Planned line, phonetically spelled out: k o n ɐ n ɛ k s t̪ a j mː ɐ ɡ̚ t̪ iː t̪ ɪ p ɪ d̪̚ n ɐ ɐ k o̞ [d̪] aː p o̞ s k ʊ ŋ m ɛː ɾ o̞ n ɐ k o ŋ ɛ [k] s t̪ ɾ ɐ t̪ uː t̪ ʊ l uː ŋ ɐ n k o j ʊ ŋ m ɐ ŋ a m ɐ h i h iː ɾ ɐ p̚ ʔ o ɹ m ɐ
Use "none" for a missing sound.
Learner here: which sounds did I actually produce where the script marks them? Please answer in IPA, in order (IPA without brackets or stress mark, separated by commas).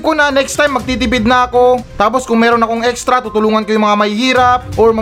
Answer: t̪, k